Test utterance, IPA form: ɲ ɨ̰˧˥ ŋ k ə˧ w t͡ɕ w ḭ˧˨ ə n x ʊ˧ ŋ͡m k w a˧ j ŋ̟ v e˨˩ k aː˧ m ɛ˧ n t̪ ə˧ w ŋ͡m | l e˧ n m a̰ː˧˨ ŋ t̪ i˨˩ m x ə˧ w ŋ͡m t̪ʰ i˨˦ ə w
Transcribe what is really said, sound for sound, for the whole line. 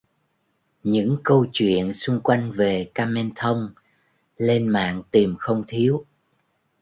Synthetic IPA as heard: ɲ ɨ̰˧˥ ŋ k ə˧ w t͡ɕ w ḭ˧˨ ə n s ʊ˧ ŋ͡m k w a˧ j ŋ̟ v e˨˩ k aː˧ m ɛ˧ n t̪ʰ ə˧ w ŋ͡m | l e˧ n m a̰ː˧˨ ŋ t̪ i˨˩ m x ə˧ w ŋ͡m t̪ʰ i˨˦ ə w